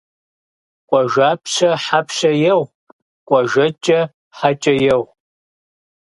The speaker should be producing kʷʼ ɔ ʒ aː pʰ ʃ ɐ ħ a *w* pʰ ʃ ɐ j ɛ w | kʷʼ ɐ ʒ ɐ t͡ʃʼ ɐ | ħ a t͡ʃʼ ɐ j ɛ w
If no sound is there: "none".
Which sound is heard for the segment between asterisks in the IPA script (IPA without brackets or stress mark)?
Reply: none